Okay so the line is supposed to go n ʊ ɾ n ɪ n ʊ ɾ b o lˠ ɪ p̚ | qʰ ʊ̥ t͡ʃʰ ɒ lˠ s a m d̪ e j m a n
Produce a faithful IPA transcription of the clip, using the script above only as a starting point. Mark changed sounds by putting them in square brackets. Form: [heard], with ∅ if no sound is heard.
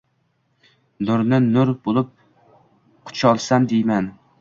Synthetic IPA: n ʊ ɾ n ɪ n ʊ ɾ b o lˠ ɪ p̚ | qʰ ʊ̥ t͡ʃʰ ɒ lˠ s a m d̪ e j m a n